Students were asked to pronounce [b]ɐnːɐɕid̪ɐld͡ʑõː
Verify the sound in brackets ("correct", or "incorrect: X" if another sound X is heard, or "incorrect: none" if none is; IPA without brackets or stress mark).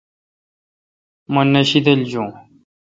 incorrect: m